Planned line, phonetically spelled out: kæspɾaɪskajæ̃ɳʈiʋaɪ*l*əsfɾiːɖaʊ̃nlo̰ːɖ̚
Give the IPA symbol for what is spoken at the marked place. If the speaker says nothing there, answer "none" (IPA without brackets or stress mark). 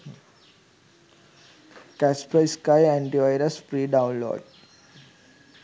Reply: ɾ